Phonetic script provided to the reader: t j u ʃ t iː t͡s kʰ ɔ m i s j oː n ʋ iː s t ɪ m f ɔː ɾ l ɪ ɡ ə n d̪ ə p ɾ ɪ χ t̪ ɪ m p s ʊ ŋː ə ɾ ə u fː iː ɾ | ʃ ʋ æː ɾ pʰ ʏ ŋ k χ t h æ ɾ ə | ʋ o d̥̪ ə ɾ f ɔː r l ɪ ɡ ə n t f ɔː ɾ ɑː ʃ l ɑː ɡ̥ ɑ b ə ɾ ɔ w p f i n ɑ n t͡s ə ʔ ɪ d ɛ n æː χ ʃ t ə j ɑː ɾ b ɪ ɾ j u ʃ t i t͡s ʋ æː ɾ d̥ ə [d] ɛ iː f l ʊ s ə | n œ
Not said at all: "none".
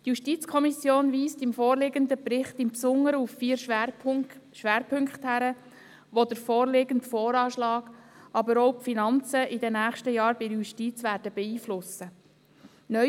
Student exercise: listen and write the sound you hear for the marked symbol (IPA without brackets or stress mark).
b